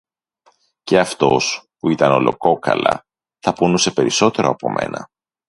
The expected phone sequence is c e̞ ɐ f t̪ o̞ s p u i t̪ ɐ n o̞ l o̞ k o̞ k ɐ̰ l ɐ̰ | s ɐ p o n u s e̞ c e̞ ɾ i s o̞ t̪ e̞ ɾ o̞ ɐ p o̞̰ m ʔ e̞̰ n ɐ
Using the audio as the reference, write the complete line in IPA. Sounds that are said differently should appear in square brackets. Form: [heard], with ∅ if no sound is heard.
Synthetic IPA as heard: c e̞ ɐ f t̪ o̞ s p u i t̪ ɐ n o̞ l o̞ k o̞ k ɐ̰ l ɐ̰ | [θ] ɐ p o n u s e̞ [p] e̞ ɾ i s o̞ t̪ e̞ ɾ o̞ ɐ p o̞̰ m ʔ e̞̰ n ɐ